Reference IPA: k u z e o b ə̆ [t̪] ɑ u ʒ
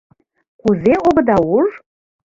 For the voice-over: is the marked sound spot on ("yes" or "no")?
no